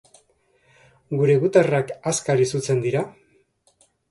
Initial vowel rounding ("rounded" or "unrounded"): rounded